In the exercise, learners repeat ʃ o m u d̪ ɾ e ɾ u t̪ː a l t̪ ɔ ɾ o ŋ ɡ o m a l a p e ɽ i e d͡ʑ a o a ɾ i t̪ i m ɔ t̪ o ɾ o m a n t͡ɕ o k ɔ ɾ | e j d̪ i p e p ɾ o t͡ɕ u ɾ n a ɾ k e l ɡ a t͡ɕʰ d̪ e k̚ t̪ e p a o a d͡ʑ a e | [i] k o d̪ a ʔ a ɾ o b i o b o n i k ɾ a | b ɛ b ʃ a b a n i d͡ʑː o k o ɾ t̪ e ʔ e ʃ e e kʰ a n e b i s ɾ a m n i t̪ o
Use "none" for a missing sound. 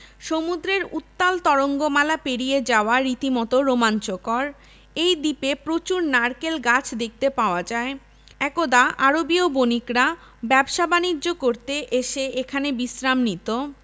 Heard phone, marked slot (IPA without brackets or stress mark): ɛ